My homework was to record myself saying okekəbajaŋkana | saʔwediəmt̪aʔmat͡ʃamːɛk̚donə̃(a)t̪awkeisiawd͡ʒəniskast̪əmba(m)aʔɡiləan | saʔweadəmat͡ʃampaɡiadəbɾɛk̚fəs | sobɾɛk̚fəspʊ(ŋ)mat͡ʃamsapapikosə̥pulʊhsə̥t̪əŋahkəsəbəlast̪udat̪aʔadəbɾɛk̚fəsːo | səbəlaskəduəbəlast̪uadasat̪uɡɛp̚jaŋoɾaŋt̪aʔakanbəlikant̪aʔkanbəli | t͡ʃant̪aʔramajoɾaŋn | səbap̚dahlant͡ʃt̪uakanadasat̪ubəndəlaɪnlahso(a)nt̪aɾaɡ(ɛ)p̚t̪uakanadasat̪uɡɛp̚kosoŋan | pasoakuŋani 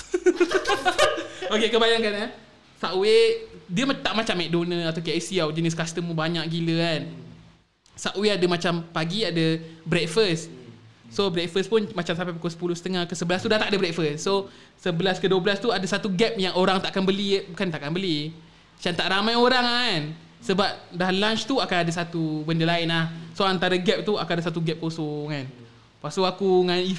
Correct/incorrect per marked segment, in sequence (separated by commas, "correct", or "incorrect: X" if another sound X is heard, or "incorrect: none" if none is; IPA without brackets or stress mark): correct, incorrect: ɲ, incorrect: n, correct, correct